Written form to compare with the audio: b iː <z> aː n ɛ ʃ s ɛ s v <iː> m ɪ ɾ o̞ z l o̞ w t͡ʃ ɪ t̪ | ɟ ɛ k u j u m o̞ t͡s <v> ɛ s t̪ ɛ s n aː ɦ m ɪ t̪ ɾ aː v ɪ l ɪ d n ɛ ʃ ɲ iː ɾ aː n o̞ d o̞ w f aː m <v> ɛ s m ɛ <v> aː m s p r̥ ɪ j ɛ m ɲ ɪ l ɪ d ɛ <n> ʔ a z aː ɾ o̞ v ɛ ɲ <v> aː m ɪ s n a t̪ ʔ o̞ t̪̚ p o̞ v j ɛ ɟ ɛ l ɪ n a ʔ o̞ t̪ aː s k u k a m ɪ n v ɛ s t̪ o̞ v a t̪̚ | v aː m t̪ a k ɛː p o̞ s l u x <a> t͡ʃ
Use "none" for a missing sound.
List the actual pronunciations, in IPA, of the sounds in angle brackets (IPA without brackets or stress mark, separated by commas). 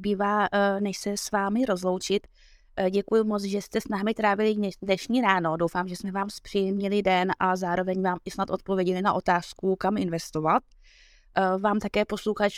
v, aː, ʒ, ʒ, v, n, v, a